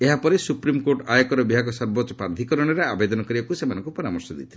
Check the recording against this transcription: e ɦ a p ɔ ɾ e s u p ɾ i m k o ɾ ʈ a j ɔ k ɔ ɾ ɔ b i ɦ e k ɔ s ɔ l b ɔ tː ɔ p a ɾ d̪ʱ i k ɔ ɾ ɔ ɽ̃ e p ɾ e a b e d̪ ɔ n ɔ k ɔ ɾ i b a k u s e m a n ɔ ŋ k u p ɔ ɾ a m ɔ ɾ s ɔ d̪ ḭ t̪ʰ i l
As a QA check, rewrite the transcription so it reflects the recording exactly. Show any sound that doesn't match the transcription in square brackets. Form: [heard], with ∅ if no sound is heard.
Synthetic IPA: e ɦ a p ɔ ɾ e s u p ɾ i m k o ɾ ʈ a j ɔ k ɔ ɾ ɔ b i ɦ [a] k ɔ s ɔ [ɾ] b ɔ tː ɔ p a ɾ d̪ʱ i k ɔ ɾ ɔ ɽ̃ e [∅] ɾ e a b e d̪ ɔ n ɔ k ɔ ɾ i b a k u s e m a n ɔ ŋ k u p ɔ ɾ a m ɔ ɾ s ɔ d̪ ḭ t̪ʰ i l